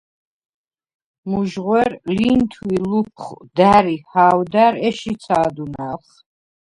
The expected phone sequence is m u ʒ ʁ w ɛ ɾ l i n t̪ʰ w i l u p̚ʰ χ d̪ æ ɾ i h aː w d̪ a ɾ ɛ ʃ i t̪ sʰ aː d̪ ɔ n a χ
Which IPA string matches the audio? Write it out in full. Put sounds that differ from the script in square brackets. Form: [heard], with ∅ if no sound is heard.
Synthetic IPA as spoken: m u ʒ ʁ w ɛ ɾ l i n t̪ʰ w i l u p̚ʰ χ d̪ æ ɾ i h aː w d̪ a ɾ ɛ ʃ i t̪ sʰ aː d̪ [u] n a χ